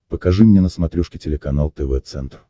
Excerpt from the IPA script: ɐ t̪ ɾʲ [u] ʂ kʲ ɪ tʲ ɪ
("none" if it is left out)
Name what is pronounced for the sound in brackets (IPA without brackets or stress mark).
u